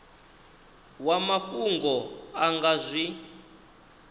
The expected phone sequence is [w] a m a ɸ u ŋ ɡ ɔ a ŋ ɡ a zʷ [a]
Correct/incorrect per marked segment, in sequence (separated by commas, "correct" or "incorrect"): correct, incorrect